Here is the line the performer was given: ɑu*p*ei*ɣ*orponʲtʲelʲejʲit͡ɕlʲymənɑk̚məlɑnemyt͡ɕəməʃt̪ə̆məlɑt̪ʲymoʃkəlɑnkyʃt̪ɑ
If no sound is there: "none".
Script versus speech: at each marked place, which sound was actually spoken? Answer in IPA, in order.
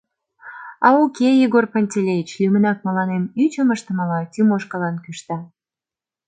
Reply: k, ɣ

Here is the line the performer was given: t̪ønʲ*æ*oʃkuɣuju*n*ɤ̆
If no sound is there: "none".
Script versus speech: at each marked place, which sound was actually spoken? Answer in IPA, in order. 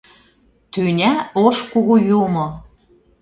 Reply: æ, m

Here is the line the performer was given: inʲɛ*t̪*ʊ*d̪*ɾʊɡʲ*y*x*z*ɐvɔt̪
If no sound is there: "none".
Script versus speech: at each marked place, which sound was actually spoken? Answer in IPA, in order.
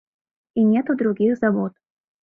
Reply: t̪, d̪, i, z

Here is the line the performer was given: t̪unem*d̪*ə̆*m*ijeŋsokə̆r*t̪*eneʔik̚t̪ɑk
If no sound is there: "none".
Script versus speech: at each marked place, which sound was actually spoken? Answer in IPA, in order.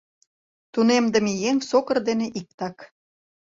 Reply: d̪, m, d̪

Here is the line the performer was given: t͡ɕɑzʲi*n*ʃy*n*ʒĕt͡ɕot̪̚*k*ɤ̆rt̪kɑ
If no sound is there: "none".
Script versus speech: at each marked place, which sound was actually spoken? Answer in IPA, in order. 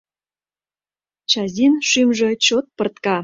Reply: n, m, p

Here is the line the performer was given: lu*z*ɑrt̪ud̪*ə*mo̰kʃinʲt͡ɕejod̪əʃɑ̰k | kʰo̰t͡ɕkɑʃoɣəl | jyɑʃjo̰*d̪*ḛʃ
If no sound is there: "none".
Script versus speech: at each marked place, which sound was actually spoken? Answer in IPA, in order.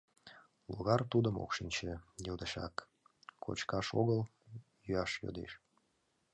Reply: ɣ, ə, d̪

